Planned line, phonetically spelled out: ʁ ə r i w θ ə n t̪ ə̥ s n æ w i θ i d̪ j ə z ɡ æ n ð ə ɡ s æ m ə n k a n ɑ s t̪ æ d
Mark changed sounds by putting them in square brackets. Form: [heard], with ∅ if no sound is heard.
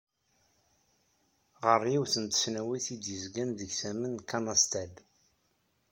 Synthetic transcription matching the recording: ʁ ə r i w θ ə n t̪ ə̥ s n æ w i θ i d̪ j ə z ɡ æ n ð ə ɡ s æ m ə n k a n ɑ s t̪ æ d